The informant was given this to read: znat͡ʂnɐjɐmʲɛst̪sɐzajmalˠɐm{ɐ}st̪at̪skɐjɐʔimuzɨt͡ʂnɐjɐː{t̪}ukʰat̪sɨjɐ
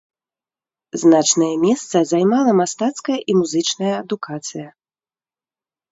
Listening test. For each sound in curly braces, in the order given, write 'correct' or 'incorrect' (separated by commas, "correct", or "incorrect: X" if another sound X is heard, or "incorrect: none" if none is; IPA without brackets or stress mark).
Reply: incorrect: a, incorrect: d̪